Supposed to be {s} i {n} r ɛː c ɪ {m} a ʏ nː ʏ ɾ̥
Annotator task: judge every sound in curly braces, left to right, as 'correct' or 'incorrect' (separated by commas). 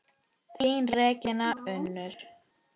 incorrect, correct, incorrect